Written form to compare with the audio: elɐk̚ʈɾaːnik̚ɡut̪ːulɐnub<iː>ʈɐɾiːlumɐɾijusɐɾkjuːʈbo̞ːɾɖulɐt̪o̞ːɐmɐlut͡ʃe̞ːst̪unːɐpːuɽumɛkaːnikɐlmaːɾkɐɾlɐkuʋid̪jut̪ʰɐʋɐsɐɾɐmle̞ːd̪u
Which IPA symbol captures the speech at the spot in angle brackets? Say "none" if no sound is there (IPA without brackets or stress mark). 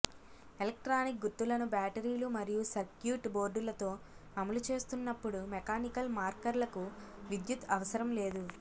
aː